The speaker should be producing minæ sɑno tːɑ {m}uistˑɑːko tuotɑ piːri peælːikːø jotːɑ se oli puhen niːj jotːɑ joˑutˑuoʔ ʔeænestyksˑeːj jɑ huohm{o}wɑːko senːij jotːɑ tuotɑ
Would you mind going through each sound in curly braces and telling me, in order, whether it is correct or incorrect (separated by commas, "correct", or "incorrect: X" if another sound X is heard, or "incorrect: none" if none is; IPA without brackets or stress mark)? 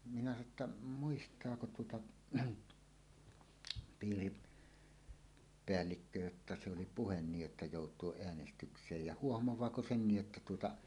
correct, correct